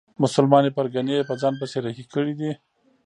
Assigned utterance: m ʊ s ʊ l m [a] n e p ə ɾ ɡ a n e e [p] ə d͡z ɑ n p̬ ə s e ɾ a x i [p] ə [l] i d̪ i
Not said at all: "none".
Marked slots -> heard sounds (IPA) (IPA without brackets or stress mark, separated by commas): ɑ, p, k, ɽ